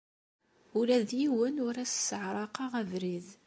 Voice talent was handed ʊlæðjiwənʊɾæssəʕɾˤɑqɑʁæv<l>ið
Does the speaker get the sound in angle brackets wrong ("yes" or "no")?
yes